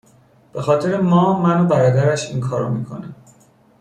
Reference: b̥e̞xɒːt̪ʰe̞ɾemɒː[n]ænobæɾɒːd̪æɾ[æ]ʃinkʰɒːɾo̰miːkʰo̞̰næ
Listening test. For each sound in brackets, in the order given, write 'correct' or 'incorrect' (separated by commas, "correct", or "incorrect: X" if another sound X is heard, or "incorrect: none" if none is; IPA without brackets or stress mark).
incorrect: m, correct